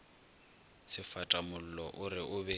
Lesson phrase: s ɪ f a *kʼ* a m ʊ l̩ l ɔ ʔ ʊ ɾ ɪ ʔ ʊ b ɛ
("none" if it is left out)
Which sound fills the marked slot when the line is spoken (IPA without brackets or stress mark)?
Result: tʼ